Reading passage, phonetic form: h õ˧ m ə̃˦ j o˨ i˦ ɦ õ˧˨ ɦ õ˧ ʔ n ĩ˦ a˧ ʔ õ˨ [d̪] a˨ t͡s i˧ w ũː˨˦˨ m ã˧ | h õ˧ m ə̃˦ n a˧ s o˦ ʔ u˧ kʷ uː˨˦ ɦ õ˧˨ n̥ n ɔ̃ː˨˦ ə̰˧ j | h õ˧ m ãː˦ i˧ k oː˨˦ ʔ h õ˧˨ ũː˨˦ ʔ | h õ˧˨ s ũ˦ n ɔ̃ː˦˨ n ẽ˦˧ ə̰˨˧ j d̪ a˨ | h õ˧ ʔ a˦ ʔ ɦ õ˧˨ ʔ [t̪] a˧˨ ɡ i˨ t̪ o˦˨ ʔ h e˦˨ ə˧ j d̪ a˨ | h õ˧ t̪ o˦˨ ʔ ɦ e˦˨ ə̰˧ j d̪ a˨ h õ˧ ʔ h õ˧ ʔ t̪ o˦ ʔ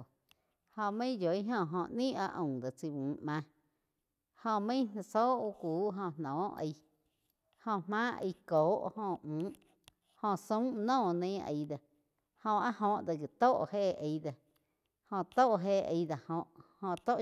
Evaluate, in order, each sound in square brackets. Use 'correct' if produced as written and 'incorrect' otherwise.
correct, incorrect

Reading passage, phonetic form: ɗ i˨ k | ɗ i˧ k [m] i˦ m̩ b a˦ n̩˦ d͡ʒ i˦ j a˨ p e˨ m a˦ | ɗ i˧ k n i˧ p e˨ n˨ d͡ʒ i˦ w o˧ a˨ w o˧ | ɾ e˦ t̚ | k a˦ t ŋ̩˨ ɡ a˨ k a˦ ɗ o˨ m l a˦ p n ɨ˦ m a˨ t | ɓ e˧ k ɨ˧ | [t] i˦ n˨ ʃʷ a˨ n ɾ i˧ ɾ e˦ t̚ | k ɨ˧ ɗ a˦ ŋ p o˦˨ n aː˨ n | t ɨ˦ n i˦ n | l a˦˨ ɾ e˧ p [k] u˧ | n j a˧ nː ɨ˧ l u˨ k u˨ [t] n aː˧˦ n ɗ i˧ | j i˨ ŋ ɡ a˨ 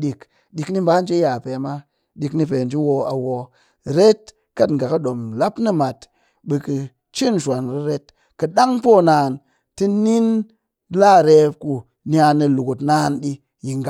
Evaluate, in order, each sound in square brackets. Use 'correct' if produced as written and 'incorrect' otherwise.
incorrect, incorrect, correct, correct

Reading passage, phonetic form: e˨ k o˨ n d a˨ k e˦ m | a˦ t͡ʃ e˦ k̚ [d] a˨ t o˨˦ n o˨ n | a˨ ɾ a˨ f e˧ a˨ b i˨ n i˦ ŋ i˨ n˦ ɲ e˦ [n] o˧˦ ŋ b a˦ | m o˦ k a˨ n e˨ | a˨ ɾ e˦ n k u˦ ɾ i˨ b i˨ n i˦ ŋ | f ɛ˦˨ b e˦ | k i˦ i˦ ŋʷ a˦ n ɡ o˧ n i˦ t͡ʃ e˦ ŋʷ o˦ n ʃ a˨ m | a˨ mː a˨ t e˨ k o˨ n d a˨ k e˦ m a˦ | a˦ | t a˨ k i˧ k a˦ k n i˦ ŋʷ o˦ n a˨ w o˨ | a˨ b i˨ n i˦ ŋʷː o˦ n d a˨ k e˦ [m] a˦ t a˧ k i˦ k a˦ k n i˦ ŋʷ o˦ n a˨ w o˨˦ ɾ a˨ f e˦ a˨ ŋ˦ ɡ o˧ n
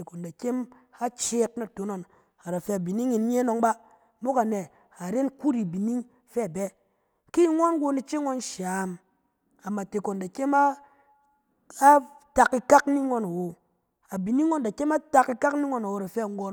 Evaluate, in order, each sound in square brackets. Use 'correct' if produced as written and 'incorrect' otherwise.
incorrect, correct, correct

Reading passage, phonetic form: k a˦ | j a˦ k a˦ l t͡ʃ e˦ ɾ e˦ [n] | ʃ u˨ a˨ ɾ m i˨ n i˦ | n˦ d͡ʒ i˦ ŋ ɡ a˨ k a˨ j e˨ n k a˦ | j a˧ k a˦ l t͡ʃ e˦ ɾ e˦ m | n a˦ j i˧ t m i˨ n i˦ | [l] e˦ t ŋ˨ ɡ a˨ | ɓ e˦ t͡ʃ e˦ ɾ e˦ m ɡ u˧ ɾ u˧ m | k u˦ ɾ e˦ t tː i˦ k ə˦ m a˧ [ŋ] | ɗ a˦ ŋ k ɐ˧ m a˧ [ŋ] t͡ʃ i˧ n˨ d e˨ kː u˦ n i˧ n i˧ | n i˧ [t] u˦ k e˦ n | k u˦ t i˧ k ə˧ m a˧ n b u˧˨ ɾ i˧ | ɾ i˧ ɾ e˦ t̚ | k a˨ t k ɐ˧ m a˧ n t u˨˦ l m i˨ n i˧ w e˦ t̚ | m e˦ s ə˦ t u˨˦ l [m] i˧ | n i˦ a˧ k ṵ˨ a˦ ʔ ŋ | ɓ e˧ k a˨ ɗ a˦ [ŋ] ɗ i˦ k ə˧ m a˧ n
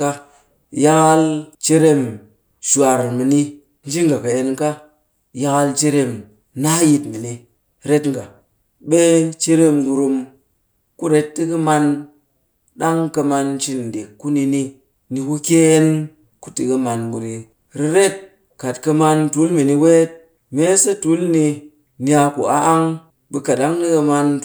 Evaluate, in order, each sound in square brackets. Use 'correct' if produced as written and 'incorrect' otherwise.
incorrect, incorrect, incorrect, incorrect, incorrect, incorrect, correct

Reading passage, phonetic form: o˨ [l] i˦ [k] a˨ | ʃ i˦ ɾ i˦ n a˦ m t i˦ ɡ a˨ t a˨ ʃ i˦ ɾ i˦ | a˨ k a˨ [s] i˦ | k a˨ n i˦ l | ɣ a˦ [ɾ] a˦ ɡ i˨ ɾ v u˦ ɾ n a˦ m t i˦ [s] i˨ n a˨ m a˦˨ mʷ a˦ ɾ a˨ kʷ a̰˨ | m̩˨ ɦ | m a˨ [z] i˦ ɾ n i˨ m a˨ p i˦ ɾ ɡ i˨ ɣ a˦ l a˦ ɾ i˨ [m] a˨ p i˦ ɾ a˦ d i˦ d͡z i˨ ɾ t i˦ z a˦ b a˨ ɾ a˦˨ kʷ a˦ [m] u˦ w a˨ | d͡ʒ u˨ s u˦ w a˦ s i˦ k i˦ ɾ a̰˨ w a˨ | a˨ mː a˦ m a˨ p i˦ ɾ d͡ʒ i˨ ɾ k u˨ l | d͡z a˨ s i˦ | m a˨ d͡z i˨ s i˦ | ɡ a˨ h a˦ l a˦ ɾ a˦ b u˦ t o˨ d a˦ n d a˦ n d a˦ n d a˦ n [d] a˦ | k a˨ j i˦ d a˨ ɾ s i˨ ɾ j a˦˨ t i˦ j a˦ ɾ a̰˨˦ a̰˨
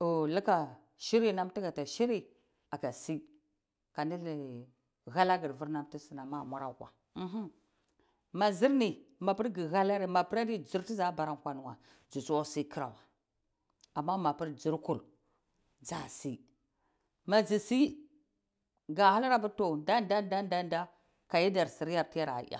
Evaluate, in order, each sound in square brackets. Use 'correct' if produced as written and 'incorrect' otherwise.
correct, correct, correct, incorrect, correct, correct, correct, incorrect, correct

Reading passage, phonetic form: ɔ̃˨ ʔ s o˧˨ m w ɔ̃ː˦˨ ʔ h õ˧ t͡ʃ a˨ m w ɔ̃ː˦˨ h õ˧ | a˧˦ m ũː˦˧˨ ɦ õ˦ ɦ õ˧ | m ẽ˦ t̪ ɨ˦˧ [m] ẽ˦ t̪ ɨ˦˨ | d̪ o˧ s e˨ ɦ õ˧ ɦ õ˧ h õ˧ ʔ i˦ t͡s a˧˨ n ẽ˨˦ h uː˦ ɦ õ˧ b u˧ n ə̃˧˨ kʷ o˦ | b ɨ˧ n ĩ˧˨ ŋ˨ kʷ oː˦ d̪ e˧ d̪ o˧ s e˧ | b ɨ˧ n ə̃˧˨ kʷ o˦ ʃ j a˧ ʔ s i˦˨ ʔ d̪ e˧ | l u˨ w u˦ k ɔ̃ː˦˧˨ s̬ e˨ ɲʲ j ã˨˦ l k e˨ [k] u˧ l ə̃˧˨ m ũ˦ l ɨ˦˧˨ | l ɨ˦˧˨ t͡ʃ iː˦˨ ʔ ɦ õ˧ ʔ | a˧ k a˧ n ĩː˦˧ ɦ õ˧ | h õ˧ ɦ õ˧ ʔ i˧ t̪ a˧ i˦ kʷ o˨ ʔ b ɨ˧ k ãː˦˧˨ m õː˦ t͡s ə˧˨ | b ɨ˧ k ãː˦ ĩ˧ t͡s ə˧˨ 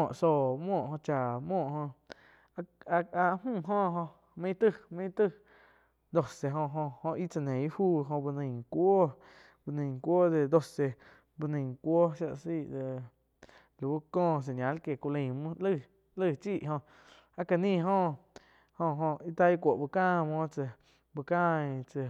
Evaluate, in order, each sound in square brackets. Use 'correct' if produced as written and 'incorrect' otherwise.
correct, correct

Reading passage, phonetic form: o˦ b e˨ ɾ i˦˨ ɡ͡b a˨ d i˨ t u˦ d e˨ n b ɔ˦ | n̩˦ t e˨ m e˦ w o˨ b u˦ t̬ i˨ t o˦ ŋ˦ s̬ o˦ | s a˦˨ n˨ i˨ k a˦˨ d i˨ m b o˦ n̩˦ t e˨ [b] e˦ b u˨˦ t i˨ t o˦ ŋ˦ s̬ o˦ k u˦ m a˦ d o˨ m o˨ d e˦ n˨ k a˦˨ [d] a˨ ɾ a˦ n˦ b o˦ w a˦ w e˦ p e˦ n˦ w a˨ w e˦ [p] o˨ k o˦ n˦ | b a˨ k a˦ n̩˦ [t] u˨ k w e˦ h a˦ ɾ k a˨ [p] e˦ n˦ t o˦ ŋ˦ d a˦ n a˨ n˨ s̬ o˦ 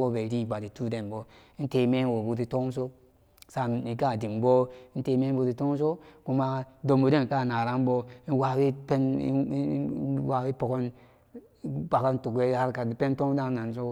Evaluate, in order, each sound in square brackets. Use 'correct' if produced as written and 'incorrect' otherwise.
incorrect, incorrect, correct, correct, correct

